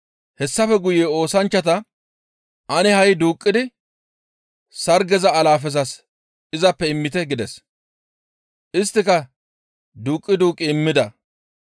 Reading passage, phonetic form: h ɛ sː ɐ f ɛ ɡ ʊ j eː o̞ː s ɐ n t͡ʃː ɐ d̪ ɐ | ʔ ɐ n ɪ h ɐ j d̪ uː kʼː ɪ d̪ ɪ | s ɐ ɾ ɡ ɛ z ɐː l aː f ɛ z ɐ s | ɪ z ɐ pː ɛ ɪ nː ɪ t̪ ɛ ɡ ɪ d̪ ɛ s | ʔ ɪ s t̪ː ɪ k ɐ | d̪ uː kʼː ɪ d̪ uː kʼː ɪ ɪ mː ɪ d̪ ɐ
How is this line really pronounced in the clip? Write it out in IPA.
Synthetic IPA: h ɛ sː ɐ f ɛ ɡ ʊ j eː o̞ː s ɐ n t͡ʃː ɐ t̪ ɐ | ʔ ɐ n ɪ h ɐ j d̪ uː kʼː ɪ d̪ ɪ | s ɐ ɾ ɡ ɛ z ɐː l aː f ɛ z ɐ s | ɪ z ɐ pː ɛ ɪ mː ɪ t̪ ɛ ɡ ɪ d̪ ɛ s | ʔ ɪ s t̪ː ɪ k ɐ | d̪ uː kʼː ɪ d̪ uː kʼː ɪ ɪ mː ɪ d̪ ɐ